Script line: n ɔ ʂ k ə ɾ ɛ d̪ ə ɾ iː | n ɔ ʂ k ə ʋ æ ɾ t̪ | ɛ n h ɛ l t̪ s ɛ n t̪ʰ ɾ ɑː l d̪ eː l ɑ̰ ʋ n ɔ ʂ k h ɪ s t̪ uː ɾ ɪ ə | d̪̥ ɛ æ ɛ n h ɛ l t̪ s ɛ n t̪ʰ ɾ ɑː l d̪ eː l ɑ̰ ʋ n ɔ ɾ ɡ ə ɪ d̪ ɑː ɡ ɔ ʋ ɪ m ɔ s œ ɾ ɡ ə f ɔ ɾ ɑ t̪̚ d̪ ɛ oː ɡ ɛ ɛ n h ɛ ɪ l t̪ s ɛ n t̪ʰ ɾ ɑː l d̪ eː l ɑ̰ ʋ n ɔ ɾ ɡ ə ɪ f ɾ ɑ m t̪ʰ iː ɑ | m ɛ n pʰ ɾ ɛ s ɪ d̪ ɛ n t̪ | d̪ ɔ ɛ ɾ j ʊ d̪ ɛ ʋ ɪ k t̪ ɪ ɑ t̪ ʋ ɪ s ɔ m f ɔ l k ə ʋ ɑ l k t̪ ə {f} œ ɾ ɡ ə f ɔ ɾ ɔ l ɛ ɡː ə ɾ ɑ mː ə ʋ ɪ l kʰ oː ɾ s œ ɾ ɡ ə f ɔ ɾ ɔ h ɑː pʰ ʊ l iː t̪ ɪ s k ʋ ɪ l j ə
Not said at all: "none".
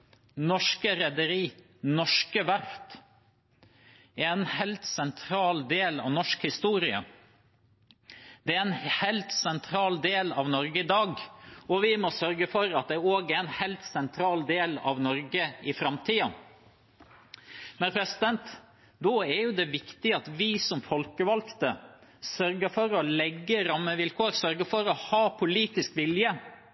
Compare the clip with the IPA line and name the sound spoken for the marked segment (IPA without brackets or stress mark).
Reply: s